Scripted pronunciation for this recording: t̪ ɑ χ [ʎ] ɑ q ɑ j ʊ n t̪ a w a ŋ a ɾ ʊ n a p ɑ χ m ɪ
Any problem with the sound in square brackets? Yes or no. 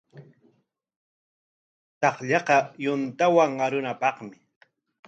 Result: no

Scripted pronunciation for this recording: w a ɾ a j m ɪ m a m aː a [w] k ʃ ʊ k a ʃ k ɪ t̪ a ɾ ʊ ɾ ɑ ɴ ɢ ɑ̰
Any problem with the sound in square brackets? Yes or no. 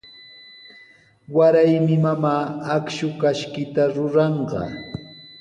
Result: yes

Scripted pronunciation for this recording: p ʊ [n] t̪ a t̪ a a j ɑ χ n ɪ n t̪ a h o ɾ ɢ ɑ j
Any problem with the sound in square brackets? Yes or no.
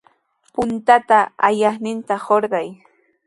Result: no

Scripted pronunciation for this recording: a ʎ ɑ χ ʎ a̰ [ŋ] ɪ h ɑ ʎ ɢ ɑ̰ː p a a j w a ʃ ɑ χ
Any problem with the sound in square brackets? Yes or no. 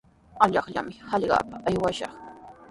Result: yes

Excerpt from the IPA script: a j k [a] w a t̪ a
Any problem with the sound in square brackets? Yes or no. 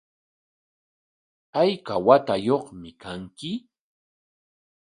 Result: no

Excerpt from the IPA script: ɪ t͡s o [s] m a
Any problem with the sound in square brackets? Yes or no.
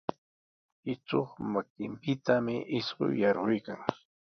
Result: yes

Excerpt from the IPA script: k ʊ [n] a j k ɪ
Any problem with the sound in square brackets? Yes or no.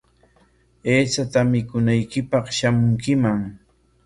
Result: no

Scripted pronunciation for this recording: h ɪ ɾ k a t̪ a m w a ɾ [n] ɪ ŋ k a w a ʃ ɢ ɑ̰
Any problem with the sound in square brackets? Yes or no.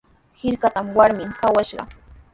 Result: yes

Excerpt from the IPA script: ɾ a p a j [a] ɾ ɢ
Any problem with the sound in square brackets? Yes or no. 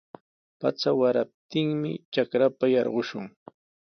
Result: yes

